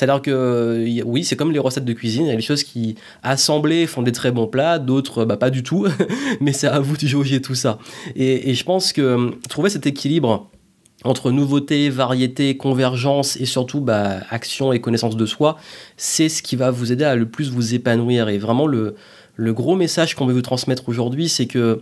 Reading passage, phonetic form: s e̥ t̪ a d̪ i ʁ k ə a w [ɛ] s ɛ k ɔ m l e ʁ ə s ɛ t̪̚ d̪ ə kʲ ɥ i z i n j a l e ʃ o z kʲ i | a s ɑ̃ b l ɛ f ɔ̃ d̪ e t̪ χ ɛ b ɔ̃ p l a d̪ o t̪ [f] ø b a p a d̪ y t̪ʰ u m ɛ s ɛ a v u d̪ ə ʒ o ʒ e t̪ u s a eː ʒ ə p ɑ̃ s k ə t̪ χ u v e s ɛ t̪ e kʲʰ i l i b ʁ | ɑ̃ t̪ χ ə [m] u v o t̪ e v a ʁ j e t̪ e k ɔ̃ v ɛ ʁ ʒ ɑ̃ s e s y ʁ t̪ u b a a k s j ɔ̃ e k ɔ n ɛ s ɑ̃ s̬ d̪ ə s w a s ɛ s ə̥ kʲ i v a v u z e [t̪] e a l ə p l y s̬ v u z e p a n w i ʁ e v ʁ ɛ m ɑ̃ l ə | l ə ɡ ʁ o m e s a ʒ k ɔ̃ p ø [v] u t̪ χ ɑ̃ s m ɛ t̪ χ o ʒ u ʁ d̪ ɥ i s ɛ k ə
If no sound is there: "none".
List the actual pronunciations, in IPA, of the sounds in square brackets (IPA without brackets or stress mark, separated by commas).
i, χ, n, d̪, v